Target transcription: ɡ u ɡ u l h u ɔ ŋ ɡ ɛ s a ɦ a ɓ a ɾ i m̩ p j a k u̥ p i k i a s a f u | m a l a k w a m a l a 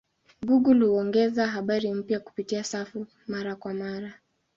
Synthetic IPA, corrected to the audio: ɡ u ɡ u l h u ɔ ŋ ɡ ɛ z a ɦ a ɓ a ɾ i m̩ p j a k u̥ p i t i a s a f u | m a ɾ a k w a m a ɾ a